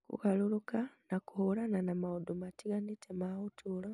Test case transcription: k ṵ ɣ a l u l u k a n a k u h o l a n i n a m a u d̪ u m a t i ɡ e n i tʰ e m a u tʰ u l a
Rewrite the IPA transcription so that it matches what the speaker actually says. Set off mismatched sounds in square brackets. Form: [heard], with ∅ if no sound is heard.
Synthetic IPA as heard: k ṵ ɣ a l u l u k a n a k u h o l a n [a] n a m a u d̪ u m a t i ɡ [a] n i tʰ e m a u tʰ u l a